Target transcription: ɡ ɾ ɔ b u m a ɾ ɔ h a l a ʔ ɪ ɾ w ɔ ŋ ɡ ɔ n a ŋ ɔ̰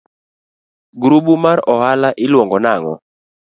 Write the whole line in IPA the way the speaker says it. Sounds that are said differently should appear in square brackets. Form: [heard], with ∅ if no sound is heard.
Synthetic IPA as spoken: ɡ ɾ [u] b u m a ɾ ɔ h a l a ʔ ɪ [l] w ɔ ŋ ɡ ɔ n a ŋ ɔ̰